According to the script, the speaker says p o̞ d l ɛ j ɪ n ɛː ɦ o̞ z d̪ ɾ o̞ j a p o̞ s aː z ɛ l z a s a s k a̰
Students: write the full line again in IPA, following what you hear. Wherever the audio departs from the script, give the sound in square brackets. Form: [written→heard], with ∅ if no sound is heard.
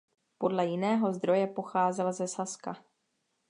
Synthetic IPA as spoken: p o̞ d l ɛ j ɪ n ɛː ɦ o̞ z d̪ ɾ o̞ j [a→ɛ] p o̞ [s→x] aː z ɛ l z [a→ɛ] s a s k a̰